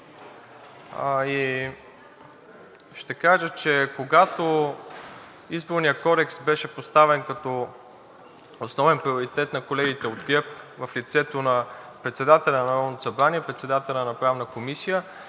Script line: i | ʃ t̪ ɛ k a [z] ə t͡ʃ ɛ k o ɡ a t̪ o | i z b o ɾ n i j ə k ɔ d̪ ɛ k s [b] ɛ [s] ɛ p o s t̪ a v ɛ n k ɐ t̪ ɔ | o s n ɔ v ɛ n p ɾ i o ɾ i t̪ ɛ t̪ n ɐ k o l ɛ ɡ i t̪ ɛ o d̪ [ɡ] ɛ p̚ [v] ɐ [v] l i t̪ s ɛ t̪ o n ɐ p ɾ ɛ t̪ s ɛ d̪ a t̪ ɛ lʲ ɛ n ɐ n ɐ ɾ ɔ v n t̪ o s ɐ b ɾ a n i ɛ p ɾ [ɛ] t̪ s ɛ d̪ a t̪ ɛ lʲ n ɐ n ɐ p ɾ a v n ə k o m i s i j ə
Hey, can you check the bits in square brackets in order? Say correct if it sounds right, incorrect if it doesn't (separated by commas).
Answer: incorrect, correct, incorrect, correct, correct, incorrect, correct